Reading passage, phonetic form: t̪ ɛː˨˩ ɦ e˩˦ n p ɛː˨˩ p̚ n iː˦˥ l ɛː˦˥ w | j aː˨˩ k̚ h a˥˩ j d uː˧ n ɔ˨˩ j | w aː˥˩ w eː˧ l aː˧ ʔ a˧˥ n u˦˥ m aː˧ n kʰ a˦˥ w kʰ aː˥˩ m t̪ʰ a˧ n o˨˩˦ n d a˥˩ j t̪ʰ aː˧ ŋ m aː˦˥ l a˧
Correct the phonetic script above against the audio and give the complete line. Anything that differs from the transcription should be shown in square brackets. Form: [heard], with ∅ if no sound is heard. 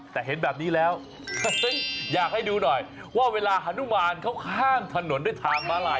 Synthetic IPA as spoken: t̪ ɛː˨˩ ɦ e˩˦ n [b] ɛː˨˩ p̚ n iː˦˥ l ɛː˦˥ w | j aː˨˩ k̚ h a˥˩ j d uː˧ n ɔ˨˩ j | w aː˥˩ w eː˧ l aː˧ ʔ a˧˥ n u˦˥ m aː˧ n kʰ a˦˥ w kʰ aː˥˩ [ŋ] t̪ʰ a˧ n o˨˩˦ n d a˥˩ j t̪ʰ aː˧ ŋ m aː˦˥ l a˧